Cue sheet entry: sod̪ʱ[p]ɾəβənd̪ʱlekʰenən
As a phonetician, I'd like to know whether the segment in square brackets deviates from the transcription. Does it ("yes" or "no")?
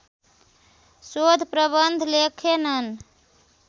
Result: no